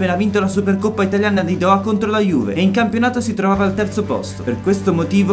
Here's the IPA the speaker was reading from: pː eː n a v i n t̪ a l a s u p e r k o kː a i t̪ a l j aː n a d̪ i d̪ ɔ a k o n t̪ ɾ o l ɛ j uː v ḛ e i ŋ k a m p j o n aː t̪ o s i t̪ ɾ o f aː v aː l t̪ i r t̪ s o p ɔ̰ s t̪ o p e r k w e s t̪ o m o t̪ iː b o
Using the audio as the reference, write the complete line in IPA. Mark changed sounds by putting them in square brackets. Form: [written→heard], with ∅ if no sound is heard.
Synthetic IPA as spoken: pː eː n a v i n t̪ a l a s u p e r k o [kː→pː] a i t̪ a l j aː n a d̪ i d̪ ɔ a k o n t̪ ɾ o l [ɛ→a] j uː v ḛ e i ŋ k a m p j o n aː t̪ o s i t̪ ɾ o [f→v] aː v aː l t̪ [i→ɛ] r t̪ s o p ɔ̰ s t̪ o p e r k w e s t̪ o m o t̪ iː [b→v] o